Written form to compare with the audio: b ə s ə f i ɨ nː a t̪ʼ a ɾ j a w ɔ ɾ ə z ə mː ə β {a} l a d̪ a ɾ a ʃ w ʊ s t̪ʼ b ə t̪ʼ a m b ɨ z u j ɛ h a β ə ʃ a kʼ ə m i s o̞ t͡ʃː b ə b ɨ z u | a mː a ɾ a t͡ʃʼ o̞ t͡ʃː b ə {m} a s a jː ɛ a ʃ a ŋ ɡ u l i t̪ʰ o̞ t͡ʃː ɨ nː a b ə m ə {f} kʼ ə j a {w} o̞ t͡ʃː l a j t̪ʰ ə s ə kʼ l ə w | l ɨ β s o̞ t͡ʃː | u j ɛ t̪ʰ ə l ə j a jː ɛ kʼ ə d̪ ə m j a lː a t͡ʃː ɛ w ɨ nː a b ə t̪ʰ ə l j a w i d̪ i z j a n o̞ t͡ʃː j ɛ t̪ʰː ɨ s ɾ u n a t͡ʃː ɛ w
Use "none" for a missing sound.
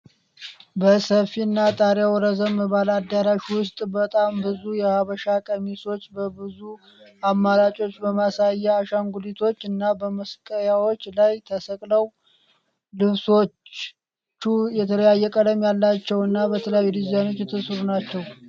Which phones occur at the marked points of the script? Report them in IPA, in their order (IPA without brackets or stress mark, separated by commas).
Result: a, m, s, w